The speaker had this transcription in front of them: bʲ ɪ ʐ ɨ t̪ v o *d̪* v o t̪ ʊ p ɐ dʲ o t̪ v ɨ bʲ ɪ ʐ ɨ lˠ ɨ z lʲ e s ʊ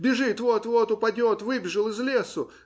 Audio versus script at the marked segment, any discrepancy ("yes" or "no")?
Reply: yes